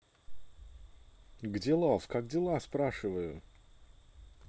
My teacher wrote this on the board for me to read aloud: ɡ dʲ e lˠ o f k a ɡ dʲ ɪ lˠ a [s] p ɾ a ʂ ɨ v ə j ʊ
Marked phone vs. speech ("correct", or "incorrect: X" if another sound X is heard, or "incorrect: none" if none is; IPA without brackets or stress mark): correct